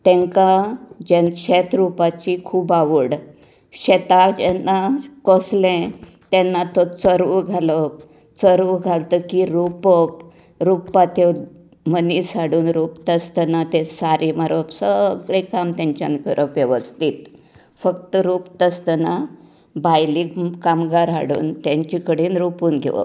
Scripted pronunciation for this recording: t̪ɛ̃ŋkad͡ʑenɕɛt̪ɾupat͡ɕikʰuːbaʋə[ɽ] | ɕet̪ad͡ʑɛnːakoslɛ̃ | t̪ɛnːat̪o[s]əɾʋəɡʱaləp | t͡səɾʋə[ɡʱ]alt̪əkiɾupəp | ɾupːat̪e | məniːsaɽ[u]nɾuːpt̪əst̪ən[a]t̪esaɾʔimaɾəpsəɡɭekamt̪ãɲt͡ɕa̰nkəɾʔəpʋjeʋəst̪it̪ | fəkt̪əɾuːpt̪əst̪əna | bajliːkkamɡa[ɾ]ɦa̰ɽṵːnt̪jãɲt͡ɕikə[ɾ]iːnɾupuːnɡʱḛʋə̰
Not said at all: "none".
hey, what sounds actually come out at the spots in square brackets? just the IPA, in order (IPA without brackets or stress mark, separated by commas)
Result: ɽ, t͡s, ɡʱ, uː, a, ɾ, ɽ